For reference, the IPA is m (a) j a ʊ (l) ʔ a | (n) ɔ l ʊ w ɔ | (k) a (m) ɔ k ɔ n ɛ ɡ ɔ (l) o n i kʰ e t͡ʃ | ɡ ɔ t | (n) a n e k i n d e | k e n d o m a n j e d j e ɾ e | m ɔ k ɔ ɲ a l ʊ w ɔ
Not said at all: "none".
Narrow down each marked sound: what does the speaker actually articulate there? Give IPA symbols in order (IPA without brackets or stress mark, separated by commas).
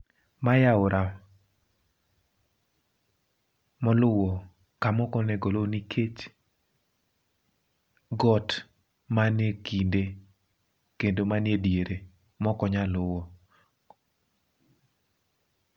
a, ɾ, m, k, m, l, m